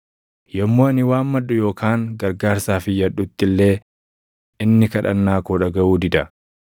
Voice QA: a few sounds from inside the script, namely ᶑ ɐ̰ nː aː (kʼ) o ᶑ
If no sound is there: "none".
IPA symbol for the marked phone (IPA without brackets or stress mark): k